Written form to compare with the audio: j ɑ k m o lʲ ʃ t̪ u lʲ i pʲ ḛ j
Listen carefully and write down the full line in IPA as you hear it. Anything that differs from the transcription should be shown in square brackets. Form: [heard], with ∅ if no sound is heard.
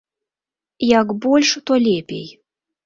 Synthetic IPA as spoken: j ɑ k [b] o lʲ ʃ t̪ [o] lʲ [e] pʲ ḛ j